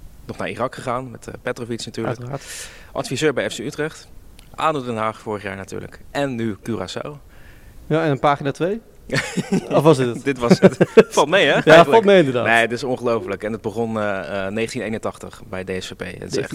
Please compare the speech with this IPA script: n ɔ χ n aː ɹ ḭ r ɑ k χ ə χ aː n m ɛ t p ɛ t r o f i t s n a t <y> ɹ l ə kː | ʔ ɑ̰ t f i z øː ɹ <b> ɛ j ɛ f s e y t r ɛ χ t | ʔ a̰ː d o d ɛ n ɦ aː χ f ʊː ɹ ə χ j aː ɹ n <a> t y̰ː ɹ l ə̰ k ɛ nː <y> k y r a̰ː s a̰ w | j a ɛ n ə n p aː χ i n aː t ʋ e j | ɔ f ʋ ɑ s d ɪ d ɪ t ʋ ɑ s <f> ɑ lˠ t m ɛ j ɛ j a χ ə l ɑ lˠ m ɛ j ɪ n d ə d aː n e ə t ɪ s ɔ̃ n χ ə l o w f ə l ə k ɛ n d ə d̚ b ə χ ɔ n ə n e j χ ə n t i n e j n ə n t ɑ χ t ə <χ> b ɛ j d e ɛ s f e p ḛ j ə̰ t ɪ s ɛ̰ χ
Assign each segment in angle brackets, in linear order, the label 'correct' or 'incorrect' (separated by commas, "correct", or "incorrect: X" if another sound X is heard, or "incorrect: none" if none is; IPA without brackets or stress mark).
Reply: incorrect: yː, correct, correct, correct, correct, correct